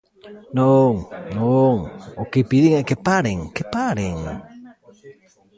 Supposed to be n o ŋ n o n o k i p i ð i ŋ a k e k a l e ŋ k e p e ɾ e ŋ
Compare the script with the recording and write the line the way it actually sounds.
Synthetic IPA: n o ŋ n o ŋ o k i p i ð i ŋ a k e p a ɾ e ŋ k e p a ɾ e ŋ